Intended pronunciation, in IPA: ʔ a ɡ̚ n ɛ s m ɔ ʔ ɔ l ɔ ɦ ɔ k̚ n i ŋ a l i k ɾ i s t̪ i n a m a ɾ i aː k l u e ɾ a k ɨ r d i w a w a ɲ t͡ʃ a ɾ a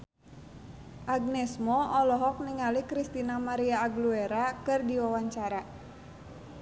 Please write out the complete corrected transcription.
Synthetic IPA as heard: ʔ a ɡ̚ n ɛ s m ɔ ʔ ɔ l ɔ ɦ ɔ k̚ n i ŋ a l i k ɾ i s t̪ i n a m a ɾ i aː ɡ l u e ɾ a k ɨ r d i w a w a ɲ t͡ʃ a ɾ a